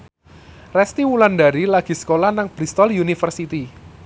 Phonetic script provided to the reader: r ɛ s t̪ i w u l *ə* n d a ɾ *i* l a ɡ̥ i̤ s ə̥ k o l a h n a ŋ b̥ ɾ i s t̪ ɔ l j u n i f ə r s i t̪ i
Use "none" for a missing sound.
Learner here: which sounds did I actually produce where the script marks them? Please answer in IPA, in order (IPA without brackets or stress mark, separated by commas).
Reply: a, i